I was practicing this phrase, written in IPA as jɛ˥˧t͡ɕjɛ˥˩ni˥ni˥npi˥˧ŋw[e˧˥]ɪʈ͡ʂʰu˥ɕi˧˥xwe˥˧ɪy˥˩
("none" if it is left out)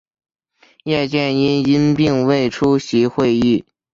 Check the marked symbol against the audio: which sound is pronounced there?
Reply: e˥˩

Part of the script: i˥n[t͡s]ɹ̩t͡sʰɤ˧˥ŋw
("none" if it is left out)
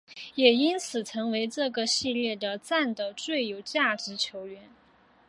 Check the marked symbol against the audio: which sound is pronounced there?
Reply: t͡sʰ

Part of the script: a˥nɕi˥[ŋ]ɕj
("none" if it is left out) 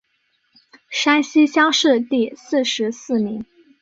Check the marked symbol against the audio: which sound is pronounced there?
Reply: none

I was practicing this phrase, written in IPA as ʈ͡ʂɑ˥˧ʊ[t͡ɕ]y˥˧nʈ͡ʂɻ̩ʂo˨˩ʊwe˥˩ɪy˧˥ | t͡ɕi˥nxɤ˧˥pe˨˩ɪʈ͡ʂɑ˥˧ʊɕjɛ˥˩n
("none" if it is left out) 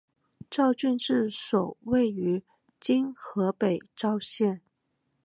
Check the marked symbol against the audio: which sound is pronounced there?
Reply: t͡ɕ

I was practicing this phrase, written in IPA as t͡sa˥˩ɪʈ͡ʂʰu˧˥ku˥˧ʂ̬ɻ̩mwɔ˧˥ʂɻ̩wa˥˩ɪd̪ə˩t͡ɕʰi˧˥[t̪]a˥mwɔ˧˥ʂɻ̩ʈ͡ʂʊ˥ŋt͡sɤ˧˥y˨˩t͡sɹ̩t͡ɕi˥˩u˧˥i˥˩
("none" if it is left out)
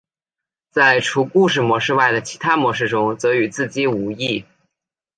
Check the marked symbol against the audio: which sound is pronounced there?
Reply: t̪ʰ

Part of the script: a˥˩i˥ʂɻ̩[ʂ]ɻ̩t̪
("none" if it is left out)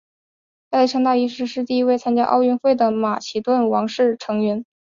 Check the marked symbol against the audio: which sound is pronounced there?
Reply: ʂ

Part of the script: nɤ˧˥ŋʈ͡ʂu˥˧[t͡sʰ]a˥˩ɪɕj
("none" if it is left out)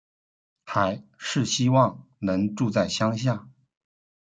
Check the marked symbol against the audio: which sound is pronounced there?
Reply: t͡s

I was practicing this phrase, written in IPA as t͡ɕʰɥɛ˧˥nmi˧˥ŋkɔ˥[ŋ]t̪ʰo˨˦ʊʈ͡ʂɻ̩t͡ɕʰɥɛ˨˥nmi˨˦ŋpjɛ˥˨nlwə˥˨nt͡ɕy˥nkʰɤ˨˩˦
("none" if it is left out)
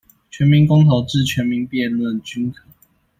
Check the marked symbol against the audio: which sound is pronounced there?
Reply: ŋ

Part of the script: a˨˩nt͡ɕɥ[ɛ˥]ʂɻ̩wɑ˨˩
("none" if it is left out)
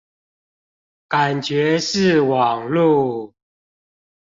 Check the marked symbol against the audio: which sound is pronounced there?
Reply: ɛ˨˦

